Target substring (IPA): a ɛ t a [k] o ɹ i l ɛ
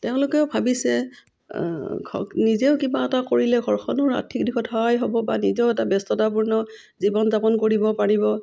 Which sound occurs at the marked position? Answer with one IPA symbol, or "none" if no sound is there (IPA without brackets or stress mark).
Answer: k